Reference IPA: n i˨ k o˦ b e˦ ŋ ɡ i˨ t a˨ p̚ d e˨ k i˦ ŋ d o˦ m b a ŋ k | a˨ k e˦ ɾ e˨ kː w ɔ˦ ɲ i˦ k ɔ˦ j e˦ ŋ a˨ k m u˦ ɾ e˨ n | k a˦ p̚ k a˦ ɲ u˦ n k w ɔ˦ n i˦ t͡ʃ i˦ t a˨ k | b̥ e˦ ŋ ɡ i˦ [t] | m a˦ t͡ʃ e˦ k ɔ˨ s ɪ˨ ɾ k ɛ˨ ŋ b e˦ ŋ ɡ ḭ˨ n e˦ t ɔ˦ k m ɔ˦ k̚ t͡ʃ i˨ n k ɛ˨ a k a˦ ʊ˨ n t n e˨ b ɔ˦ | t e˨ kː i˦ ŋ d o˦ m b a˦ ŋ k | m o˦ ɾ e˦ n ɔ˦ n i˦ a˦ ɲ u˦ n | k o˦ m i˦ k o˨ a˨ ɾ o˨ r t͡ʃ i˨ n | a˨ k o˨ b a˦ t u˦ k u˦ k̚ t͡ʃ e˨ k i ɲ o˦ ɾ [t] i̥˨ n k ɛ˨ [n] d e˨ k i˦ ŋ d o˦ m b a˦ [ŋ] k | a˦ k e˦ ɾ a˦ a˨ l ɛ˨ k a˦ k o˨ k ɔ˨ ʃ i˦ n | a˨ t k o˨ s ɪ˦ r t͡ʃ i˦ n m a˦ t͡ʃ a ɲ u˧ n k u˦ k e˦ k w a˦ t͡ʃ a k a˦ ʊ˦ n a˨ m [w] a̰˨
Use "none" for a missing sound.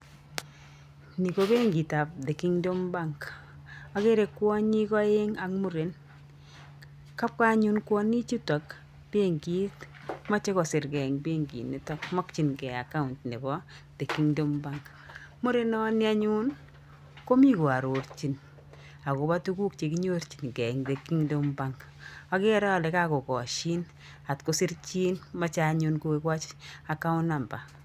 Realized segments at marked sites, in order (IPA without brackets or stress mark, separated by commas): t, t͡ʃ, ŋ, ŋ, b